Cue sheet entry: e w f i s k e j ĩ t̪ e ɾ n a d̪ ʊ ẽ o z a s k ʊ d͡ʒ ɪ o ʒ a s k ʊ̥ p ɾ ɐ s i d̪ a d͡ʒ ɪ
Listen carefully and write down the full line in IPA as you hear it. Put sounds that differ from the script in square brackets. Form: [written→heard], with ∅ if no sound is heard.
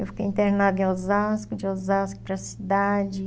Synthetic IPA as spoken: e w f i [s→∅] k e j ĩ t̪ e ɾ n a d̪ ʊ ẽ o z a s k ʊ d͡ʒ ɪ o [ʒ→z] a s k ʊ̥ p ɾ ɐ s i d̪ a d͡ʒ ɪ